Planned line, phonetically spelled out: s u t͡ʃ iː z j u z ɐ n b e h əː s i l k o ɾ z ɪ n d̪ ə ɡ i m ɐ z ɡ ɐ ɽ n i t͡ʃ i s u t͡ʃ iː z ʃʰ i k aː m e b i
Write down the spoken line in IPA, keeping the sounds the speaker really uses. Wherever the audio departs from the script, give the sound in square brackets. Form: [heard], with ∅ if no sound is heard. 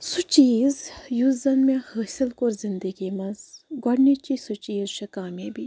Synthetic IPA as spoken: s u t͡ʃ iː z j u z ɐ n [m] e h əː s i l k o ɾ z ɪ n d̪ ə ɡ i m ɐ z ɡ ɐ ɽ n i t͡ʃ i s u t͡ʃ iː z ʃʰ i k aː m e b i